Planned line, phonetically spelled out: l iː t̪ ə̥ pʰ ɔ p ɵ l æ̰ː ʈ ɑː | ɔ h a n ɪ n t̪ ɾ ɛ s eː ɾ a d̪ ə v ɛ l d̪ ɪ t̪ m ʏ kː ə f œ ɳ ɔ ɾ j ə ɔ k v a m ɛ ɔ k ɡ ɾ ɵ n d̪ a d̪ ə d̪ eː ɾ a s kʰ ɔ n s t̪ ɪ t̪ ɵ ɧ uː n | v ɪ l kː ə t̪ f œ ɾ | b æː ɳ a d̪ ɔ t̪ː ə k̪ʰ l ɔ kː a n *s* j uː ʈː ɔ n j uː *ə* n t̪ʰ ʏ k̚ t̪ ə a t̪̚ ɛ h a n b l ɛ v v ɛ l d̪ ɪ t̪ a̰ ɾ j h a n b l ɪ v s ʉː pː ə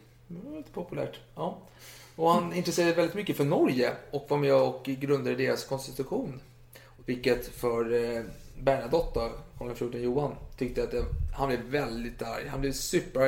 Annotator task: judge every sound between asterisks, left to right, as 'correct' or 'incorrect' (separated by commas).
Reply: incorrect, incorrect